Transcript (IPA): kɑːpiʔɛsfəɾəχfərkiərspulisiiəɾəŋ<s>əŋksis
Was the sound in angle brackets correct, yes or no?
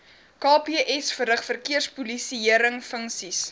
no